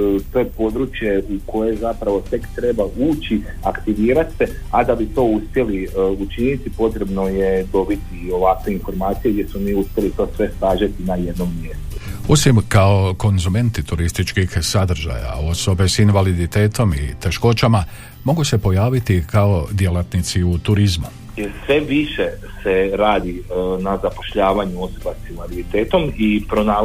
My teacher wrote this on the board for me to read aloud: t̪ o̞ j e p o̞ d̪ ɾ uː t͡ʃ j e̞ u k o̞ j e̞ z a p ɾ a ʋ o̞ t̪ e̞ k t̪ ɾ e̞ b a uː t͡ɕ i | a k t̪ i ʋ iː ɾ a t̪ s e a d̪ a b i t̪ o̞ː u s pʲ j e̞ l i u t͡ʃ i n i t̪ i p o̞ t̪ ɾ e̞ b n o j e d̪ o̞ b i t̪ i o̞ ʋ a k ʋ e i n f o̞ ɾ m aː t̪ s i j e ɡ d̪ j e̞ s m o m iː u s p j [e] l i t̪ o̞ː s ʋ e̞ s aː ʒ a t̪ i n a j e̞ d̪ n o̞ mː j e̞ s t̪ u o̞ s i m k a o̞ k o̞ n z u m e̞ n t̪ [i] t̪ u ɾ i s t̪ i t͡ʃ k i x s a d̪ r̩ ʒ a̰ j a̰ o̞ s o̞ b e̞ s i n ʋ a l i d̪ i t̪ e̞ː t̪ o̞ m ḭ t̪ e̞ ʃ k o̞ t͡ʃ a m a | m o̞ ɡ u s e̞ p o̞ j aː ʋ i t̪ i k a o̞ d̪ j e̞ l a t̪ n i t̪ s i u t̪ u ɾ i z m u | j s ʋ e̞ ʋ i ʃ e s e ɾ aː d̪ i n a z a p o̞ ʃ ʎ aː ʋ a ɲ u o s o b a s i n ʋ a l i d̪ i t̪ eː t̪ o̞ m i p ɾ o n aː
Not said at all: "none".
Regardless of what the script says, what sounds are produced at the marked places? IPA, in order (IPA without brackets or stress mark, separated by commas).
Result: e, i